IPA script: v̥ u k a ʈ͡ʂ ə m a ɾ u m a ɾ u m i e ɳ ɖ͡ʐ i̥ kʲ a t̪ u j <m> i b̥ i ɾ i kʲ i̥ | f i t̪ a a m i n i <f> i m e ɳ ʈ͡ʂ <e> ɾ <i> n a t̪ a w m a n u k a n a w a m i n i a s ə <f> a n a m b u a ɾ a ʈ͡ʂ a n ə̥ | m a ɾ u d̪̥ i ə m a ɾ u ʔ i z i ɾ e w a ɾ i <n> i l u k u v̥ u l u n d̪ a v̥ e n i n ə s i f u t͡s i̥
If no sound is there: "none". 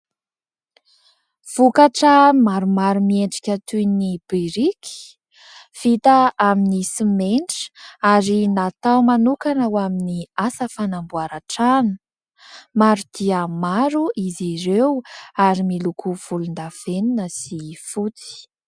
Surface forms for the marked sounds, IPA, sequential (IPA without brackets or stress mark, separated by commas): n, s, a, i, f, m